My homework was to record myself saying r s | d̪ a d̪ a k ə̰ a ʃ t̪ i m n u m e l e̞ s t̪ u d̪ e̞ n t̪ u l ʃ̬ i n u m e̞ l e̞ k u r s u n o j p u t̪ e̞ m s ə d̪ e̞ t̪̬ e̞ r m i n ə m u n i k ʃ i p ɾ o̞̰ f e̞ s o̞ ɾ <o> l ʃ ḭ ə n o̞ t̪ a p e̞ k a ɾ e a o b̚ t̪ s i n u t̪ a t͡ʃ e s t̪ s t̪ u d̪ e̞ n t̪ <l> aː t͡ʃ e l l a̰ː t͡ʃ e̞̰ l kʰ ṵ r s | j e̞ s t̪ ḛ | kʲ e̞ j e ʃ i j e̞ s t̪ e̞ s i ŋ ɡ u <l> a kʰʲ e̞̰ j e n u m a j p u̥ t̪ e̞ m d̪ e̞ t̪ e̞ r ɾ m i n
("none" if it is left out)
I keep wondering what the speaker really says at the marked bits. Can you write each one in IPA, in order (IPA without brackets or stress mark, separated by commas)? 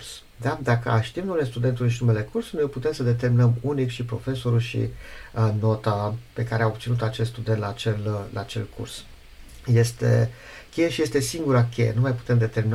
u, l, ɾ